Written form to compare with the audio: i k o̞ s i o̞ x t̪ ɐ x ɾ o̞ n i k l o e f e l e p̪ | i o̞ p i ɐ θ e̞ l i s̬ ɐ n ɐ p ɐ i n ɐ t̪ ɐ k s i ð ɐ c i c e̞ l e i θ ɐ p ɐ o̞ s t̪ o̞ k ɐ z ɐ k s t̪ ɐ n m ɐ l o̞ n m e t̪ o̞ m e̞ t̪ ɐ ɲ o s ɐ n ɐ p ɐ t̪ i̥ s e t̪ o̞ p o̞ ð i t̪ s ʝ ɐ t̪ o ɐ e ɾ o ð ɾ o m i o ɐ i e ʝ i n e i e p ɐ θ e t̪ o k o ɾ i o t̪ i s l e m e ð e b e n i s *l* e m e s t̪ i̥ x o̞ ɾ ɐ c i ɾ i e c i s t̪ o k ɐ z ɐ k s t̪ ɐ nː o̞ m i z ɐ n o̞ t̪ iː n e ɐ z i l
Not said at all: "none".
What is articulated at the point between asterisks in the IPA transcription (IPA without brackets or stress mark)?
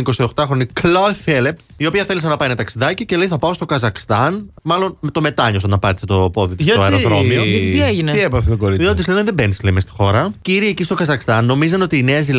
l